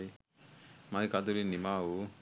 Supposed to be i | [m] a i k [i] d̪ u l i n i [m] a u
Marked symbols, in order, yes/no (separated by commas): yes, no, yes